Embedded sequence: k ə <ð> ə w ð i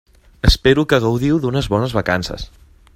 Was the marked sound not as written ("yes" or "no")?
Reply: yes